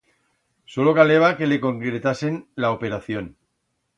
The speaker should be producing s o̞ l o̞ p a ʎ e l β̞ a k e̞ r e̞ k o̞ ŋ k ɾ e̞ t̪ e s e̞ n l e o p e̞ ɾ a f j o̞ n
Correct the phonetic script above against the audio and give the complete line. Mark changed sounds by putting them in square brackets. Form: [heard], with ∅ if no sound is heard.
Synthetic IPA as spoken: s o̞ l o̞ [k] a [l] e [∅] β̞ a k e̞ [l] e̞ k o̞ ŋ k ɾ e̞ t̪ [a] s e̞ n l [a] o p e̞ ɾ a [θ] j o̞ n